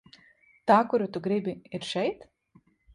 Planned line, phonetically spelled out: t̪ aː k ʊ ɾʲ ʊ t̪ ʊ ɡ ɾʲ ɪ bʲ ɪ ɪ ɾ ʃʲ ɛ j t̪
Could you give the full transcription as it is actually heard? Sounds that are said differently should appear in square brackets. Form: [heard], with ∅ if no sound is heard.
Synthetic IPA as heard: t̪ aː k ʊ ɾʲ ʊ t̪ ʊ ɡ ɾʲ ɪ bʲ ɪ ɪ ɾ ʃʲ ɛ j t̪